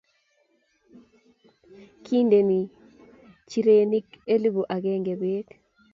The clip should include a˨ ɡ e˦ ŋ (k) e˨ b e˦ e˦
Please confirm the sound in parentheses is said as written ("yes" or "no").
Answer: no